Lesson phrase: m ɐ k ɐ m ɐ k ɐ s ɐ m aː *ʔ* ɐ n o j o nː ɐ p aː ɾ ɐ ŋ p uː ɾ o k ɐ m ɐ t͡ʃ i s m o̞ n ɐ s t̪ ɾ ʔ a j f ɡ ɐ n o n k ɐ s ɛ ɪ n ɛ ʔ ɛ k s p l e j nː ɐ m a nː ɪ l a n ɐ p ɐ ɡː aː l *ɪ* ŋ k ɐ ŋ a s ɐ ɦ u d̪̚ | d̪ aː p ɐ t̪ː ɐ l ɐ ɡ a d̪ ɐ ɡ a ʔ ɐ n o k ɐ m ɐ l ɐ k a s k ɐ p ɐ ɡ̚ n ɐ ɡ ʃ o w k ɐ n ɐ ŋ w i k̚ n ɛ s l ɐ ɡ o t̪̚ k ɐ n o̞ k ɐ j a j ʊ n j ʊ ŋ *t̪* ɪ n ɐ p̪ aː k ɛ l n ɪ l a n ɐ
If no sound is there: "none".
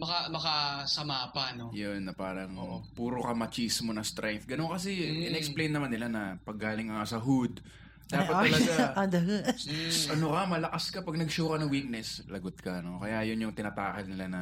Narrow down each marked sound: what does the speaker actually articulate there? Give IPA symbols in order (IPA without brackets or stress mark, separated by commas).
p, ɪ, t̪